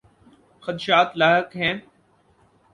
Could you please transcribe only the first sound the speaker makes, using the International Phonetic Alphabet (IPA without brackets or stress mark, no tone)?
x